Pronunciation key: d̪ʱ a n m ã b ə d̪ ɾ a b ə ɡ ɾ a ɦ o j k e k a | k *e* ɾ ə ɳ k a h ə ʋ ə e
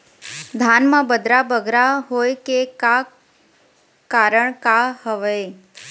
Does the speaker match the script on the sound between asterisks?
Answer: no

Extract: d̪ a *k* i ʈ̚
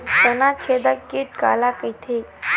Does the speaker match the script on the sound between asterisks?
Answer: yes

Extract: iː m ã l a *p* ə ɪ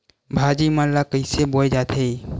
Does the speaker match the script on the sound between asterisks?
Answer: no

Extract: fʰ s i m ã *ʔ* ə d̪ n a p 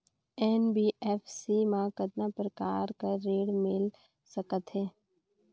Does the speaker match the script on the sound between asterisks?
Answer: no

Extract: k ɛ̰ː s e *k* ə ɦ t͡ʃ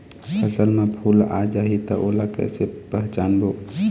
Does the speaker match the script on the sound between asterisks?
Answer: no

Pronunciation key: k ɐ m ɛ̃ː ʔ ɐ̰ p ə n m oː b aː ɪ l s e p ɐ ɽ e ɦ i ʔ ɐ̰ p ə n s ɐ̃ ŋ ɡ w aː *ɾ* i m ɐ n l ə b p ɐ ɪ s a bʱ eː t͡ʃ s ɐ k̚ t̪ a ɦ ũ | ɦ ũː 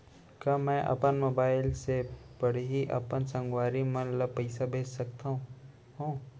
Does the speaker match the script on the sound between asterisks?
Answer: yes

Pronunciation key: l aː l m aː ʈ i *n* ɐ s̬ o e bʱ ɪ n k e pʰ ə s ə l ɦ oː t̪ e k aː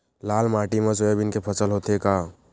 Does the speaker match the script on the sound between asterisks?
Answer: no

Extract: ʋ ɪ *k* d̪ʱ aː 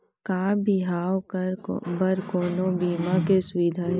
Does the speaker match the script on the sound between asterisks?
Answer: no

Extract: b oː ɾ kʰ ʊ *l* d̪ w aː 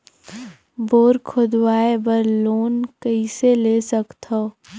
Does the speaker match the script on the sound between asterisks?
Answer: no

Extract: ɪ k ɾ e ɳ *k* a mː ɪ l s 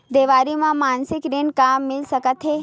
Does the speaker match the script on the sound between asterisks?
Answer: yes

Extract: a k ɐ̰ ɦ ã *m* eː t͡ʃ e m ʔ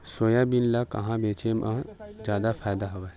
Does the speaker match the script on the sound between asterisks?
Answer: no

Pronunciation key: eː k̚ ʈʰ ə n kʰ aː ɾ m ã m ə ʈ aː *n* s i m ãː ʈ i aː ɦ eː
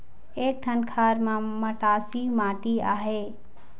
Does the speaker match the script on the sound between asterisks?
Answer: no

